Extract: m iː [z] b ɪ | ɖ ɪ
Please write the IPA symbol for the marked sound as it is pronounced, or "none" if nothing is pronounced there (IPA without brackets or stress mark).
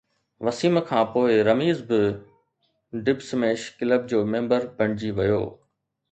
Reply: z